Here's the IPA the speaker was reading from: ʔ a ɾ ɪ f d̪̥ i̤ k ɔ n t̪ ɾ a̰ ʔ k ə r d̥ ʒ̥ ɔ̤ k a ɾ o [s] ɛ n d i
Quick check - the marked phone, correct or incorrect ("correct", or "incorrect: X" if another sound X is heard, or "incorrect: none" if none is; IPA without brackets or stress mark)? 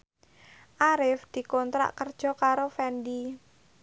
incorrect: f